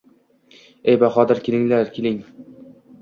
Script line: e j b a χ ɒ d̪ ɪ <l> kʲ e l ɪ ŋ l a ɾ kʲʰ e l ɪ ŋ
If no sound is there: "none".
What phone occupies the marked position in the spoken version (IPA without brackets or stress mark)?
ɾ